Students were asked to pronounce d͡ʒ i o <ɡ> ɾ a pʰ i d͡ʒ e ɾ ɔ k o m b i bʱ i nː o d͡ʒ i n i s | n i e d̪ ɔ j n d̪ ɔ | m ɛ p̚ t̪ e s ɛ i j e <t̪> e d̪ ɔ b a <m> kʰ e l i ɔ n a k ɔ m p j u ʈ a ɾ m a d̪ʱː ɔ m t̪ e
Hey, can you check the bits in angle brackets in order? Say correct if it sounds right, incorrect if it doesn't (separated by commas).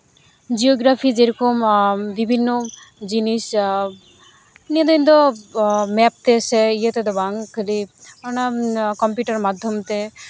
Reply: correct, correct, incorrect